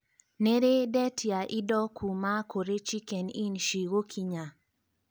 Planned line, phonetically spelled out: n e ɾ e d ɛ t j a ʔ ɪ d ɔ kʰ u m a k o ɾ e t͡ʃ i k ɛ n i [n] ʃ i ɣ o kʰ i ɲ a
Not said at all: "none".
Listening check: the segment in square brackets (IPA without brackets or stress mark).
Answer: n